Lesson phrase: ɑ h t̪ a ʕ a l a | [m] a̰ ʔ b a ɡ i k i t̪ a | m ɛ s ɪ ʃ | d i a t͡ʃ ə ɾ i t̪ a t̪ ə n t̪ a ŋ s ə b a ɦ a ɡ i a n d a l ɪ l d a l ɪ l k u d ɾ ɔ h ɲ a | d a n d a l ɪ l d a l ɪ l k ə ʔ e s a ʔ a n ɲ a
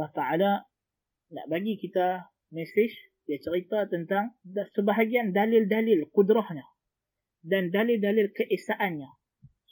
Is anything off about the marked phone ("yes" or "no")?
yes